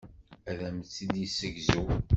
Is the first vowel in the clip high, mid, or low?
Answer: low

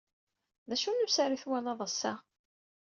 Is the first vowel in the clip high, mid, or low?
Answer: low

